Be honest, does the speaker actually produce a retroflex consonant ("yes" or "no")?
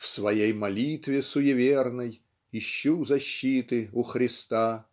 no